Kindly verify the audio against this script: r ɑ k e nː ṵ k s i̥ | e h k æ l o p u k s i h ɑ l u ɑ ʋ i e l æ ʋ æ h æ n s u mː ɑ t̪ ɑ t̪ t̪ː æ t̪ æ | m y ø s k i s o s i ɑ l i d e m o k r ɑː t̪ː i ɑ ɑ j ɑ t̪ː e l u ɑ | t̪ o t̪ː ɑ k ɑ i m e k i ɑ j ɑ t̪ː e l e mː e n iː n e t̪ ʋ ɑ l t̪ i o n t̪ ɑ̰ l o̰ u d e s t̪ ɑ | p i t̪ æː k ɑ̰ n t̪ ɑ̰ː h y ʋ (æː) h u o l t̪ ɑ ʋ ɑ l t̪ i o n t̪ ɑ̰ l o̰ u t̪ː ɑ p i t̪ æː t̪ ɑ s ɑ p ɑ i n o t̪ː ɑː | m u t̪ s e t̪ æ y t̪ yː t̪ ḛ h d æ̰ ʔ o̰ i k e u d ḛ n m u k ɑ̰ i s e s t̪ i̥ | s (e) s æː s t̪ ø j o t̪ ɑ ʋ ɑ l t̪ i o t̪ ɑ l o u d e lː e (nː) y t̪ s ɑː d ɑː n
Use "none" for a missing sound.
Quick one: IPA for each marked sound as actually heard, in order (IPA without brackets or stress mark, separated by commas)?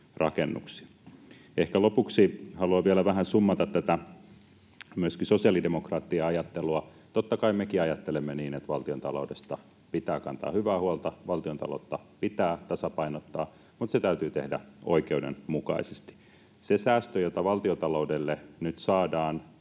æː, e, n